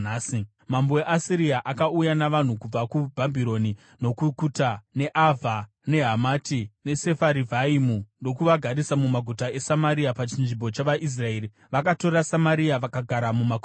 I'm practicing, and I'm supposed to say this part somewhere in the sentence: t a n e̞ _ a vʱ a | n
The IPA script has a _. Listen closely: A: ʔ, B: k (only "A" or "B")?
A